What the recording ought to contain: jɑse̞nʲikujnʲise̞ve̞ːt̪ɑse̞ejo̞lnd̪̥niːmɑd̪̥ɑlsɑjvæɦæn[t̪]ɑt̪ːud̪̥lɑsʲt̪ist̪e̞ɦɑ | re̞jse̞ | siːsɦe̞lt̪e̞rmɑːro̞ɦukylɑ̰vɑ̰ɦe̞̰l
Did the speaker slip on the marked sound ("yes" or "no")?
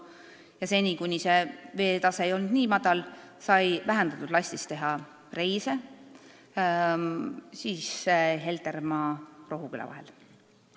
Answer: yes